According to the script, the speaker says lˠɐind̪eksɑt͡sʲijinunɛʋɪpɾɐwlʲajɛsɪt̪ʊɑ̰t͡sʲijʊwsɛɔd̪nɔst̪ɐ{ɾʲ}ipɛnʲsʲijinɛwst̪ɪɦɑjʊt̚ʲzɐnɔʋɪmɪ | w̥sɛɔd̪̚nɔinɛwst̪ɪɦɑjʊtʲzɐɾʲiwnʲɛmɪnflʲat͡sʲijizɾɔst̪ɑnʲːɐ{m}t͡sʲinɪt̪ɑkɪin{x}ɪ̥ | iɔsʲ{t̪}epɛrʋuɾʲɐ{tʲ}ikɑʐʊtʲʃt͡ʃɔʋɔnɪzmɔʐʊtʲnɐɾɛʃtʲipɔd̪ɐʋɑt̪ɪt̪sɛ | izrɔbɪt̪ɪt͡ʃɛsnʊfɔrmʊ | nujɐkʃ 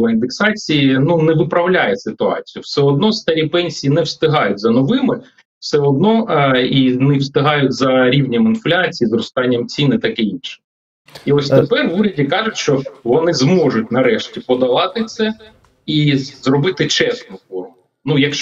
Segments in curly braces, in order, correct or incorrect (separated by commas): correct, correct, incorrect, correct, incorrect